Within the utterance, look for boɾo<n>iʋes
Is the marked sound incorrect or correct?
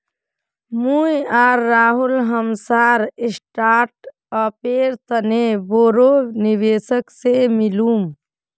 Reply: correct